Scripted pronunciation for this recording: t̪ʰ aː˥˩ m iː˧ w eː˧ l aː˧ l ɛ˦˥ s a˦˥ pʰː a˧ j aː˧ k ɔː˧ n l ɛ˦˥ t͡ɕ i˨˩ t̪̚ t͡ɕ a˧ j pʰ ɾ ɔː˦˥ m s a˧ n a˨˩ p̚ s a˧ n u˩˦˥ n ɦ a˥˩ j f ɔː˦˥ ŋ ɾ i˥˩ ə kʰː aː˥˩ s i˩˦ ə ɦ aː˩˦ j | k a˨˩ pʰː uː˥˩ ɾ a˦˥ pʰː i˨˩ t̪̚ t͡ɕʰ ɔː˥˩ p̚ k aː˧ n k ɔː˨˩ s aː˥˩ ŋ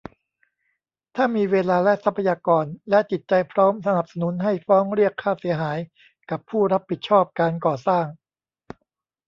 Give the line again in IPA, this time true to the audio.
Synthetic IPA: t̪ʰ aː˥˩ m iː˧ w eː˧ l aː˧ l ɛ˦˥ s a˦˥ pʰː a˧ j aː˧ k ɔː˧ n l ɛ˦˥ t͡ɕ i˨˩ t̪̚ t͡ɕ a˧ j pʰ ɾ ɔː˦˥ m s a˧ n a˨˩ p̚ s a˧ n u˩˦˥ n ɦ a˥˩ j f ɔː˦˥ ŋ ɾ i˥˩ ə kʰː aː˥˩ s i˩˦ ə ɦ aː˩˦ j | k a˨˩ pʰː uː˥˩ ɾ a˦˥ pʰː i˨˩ t̪̚ t͡ɕʰ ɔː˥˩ p̚ k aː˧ n k ɔː˨˩ s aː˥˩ ŋ

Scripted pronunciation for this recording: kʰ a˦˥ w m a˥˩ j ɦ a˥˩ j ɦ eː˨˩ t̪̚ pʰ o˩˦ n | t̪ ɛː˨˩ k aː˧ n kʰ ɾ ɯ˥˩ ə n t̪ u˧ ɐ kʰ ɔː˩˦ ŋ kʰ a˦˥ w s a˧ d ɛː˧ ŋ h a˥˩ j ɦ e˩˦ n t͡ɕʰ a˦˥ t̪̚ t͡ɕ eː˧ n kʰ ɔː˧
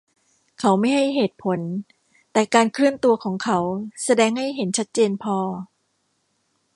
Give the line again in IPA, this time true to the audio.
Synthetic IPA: kʰ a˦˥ w m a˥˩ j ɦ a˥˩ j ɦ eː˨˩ t̪̚ pʰ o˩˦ n | t̪ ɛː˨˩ k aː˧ n kʰ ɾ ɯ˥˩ ə n t̪ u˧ ɐ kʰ ɔː˩˦ ŋ kʰ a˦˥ w s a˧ d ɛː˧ ŋ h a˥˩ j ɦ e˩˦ n t͡ɕʰ a˦˥ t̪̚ t͡ɕ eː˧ n pʰ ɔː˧

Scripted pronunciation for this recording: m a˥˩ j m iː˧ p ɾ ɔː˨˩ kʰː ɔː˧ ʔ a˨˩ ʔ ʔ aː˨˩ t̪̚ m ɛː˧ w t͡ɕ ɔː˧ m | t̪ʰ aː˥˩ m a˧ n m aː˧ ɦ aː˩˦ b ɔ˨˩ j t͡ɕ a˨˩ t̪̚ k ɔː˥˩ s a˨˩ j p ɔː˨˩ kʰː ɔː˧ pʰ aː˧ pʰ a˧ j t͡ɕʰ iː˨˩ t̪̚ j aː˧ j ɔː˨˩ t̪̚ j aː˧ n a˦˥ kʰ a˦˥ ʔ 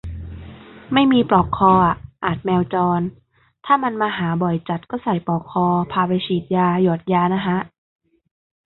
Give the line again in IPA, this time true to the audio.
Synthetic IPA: m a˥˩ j m iː˧ p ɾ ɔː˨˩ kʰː ɔː˧ ʔ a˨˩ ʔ ʔ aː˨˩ t̪̚ m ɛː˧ w t͡ɕ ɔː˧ n | t̪ʰ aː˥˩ m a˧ n m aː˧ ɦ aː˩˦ b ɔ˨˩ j t͡ɕ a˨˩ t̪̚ k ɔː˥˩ s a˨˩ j p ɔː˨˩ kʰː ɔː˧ pʰ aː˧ p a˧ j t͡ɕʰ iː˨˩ t̪̚ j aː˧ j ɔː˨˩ t̪̚ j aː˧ n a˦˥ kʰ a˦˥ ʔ

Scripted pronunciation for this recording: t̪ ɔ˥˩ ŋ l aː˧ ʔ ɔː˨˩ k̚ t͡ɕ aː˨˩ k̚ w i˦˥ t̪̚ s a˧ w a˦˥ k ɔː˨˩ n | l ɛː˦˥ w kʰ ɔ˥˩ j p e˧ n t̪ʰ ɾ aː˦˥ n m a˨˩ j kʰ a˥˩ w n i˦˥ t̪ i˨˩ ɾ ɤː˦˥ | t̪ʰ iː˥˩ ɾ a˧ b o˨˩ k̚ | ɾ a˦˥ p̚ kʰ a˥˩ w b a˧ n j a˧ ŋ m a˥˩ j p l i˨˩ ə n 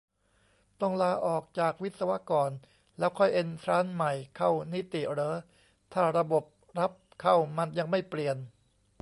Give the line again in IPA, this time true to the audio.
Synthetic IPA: t̪ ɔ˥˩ ŋ l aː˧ ʔ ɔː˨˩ k̚ t͡ɕ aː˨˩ k̚ w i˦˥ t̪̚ s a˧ w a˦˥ k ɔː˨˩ n | l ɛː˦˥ w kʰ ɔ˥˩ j ʔ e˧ n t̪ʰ ɾ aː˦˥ n m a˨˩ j kʰ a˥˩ w n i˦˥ t̪ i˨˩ ɾ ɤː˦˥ | t̪ʰ aː˥˩ ɾ a˧ b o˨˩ p̚ | ɾ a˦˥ p̚ kʰ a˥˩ w m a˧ n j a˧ ŋ m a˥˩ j p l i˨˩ ə n

